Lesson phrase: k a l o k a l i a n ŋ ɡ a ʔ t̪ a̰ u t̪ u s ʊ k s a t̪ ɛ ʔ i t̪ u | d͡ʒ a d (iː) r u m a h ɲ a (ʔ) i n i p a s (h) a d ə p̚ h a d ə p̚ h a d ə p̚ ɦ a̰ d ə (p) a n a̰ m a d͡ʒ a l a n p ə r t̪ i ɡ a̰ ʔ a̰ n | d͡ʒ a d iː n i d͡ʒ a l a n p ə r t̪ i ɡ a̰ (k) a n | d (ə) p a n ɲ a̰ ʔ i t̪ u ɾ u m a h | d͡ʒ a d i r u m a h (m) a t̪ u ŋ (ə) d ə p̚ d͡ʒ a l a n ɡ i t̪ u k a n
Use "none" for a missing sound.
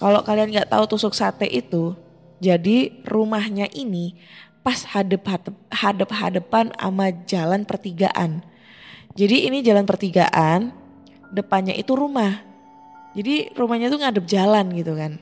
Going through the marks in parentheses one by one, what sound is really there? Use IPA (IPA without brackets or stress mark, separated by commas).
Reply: i, ʔ, h, p, ʔ, ə, ɲ, a